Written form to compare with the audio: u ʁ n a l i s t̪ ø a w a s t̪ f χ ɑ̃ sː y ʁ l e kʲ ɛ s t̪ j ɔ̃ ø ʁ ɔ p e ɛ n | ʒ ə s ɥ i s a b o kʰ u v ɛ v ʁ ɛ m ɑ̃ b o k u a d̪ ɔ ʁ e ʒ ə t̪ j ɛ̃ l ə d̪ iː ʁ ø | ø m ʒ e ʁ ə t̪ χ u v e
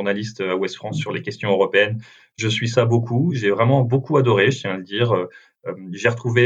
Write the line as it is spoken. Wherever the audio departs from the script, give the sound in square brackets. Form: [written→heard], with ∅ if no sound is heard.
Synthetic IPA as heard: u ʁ n a l i s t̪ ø a w [a→ɛ] s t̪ f χ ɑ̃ sː y ʁ l e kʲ ɛ s t̪ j ɔ̃ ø ʁ ɔ p e ɛ n | ʒ ə s ɥ i s a b o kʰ u [v→ʒ] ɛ v ʁ ɛ m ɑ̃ b o k u a d̪ ɔ ʁ e ʒ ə t̪ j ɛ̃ l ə d̪ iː ʁ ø | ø m ʒ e ʁ ə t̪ χ u v e